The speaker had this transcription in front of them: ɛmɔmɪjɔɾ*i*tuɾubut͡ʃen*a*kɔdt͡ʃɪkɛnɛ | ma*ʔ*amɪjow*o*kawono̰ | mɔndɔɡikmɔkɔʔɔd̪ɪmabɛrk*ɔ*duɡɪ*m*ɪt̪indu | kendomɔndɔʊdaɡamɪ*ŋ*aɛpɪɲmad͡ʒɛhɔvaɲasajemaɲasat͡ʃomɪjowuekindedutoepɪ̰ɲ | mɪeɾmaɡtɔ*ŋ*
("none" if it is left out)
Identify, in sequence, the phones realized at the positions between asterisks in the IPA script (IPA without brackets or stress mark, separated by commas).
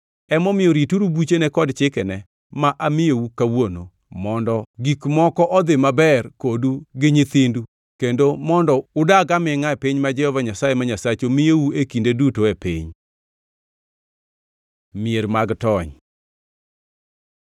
i, ɛ, ʔ, u, o, ɲ, ŋ, ɲ